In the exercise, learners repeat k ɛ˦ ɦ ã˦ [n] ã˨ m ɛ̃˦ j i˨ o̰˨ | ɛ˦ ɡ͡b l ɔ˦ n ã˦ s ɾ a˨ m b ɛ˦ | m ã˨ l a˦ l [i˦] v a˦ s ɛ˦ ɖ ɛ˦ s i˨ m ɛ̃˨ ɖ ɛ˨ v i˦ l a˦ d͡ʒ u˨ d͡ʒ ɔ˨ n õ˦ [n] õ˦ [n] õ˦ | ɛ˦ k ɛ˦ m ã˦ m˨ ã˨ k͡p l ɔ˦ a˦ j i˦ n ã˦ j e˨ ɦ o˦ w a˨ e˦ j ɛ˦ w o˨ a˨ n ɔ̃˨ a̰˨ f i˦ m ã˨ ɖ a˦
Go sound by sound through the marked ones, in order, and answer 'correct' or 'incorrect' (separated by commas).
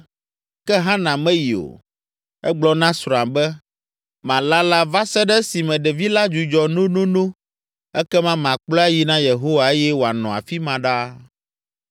correct, incorrect, correct, correct